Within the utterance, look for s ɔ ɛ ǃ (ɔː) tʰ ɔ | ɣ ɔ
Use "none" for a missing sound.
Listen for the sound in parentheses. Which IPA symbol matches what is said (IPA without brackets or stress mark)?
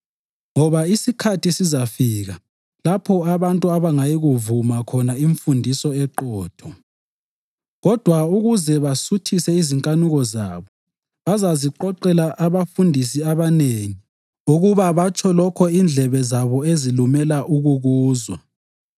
ɔː